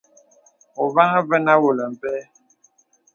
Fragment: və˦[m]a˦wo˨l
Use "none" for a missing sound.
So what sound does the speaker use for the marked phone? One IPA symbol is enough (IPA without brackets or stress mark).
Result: n